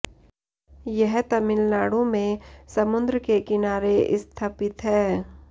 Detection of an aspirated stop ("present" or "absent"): present